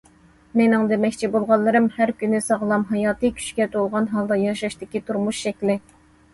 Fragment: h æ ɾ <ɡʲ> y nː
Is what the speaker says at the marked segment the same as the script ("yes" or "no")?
no